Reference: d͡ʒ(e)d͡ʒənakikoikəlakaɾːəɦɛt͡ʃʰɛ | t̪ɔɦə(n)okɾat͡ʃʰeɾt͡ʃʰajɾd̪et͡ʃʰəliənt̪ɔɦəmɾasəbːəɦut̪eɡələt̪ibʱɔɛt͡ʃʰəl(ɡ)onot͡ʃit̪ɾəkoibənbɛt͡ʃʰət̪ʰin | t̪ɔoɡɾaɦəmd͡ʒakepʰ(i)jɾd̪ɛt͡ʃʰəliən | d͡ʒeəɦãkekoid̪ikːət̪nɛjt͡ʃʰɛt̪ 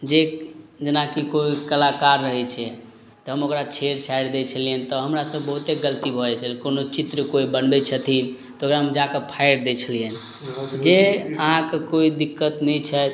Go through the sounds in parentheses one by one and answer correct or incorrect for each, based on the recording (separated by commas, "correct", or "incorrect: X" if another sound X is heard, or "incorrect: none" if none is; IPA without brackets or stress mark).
correct, incorrect: m, incorrect: k, incorrect: a